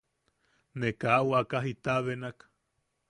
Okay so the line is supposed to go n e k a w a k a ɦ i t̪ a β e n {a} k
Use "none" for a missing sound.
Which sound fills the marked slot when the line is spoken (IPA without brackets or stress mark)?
a